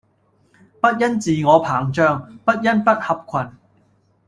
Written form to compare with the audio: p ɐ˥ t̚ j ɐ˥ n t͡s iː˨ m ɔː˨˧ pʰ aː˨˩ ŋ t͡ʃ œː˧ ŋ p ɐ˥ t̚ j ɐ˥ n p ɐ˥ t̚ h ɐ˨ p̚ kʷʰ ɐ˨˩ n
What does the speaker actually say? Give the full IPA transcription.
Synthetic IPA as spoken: p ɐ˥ t̚ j ɐ˥ n t͡s iː˨ ŋ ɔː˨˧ pʰ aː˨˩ ŋ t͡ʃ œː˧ ŋ p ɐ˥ t̚ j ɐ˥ n p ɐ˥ t̚ h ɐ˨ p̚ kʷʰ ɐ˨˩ n